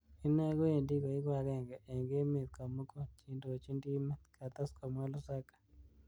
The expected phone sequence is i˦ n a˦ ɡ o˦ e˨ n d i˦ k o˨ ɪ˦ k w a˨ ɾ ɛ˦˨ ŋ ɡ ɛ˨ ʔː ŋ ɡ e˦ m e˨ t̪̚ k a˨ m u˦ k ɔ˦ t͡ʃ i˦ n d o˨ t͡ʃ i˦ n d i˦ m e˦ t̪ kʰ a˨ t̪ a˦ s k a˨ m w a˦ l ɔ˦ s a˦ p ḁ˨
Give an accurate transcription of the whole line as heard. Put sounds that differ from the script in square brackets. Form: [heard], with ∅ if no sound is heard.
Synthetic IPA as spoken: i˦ n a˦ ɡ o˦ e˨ n d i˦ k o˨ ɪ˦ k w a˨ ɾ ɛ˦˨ ŋ ɡ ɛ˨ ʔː ŋ ɡ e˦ m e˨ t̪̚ k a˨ m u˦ k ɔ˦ t͡ʃ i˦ n d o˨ t͡ʃ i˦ n d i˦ m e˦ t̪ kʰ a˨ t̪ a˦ s k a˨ m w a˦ l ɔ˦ s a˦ [k] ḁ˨